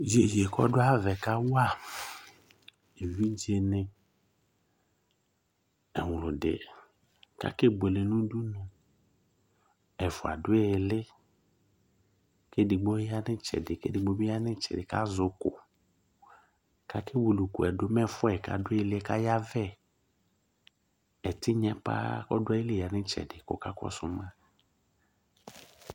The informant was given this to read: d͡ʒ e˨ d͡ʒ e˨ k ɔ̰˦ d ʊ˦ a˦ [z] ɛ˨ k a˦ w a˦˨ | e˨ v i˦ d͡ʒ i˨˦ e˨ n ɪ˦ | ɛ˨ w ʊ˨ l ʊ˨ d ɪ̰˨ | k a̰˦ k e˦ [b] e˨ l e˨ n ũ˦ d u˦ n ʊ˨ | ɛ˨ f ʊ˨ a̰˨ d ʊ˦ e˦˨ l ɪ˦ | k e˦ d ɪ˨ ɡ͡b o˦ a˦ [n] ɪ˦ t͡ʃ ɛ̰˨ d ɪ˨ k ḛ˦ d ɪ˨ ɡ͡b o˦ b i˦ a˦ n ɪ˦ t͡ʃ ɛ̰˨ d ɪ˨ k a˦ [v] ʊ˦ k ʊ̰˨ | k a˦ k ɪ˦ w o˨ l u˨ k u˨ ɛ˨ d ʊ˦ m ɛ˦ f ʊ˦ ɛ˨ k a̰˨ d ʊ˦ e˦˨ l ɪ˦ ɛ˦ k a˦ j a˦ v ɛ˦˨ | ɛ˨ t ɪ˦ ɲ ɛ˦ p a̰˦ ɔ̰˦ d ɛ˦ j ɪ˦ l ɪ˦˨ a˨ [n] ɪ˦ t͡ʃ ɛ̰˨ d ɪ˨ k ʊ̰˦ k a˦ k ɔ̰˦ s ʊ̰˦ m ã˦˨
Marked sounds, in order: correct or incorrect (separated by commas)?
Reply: incorrect, correct, correct, incorrect, correct